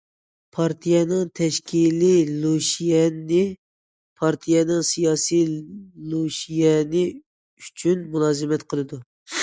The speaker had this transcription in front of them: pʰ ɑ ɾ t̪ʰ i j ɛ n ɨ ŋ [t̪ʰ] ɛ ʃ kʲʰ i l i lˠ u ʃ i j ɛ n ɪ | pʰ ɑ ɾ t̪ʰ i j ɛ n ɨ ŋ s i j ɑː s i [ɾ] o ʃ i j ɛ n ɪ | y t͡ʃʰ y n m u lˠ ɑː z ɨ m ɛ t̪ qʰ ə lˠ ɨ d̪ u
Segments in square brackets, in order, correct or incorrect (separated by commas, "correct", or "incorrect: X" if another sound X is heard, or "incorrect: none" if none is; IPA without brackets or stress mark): correct, incorrect: l